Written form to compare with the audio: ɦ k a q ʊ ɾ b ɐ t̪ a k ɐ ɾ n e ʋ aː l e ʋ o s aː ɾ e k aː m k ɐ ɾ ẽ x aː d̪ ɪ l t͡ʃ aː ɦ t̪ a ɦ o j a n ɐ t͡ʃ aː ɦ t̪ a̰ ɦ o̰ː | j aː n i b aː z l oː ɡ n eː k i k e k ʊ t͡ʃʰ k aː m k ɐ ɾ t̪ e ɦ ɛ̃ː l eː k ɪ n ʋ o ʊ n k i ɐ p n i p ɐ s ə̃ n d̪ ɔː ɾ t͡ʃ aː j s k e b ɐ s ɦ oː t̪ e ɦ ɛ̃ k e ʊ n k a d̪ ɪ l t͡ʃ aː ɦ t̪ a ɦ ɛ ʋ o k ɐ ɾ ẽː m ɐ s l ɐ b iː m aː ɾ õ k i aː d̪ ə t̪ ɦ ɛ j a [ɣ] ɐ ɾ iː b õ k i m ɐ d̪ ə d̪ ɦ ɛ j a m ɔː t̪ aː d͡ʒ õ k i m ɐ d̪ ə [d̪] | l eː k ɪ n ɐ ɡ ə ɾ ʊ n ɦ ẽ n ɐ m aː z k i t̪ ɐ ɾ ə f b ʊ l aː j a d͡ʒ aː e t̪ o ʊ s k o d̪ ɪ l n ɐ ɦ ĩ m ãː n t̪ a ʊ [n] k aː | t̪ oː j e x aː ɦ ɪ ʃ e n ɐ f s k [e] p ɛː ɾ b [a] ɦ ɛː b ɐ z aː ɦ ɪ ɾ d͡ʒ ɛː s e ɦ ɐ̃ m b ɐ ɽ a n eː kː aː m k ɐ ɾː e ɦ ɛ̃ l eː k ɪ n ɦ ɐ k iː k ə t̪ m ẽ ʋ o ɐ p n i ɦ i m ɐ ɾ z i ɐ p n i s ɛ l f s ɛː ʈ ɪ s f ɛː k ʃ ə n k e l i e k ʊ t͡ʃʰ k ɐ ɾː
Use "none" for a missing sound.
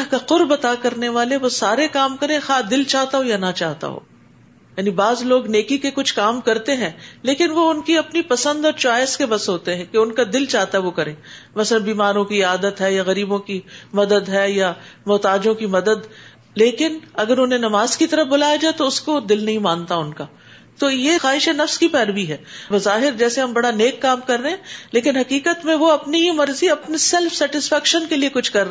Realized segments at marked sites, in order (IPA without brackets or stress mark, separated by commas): ɣ, d̪, n, i, i